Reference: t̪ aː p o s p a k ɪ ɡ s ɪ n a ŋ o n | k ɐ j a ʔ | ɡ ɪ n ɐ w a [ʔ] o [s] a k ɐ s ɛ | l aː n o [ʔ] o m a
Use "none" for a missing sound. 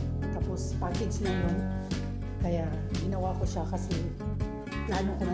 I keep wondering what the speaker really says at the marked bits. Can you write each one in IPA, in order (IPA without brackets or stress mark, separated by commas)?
k, ʃ, k